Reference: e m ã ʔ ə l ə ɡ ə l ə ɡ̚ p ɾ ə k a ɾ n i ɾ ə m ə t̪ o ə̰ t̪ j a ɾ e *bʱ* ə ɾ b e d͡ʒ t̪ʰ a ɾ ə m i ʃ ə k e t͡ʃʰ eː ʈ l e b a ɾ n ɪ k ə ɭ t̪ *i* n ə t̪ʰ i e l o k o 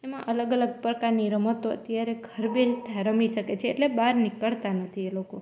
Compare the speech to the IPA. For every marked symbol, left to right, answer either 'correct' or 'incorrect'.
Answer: incorrect, incorrect

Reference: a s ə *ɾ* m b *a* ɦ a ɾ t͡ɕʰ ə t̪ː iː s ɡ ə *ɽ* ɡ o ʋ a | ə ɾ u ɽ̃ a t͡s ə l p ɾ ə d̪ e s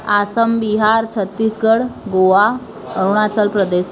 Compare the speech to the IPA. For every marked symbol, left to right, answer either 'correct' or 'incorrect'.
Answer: incorrect, incorrect, correct

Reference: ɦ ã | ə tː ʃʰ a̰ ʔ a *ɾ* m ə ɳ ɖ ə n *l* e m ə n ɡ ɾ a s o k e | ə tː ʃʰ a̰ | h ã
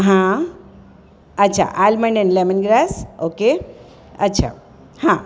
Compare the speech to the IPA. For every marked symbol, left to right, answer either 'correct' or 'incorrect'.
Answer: incorrect, correct

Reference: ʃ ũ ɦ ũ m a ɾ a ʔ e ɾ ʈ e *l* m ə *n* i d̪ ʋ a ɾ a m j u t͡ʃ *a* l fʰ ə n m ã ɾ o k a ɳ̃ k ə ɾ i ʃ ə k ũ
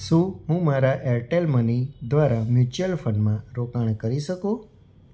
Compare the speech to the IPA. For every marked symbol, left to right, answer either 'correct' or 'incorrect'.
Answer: correct, correct, incorrect

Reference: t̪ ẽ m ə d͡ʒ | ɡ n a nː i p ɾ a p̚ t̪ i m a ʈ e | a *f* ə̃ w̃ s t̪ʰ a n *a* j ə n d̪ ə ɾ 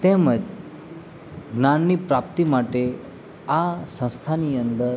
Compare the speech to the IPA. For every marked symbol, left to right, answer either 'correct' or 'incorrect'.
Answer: incorrect, incorrect

